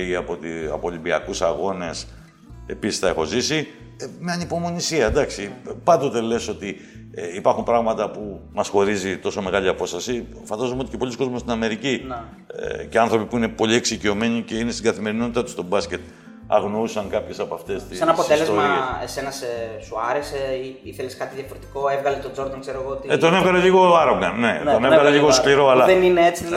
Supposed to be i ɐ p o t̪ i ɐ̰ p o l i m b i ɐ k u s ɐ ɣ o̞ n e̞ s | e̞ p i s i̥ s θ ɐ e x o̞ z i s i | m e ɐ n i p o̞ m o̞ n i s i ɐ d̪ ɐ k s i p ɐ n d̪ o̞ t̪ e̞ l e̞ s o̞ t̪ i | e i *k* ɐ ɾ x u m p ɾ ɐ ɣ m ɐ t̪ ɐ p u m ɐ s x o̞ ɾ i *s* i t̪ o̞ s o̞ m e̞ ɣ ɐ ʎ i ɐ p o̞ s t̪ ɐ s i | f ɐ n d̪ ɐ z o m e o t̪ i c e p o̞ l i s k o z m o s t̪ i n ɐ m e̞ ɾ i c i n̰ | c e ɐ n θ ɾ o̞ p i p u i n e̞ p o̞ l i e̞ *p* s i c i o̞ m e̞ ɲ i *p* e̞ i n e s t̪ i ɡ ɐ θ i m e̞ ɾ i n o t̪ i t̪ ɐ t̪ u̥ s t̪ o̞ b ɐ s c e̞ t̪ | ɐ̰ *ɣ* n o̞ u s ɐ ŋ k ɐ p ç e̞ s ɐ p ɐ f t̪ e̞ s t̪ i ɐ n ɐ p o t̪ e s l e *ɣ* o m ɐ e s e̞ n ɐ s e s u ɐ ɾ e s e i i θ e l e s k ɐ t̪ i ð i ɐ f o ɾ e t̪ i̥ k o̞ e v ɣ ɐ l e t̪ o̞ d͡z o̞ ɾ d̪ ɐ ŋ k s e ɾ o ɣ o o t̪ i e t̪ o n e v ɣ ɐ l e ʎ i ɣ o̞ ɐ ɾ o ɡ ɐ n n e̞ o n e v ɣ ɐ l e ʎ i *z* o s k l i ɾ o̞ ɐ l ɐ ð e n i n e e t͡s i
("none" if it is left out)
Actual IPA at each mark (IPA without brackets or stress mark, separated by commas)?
p, z, k, c, ɣ, z, ɣ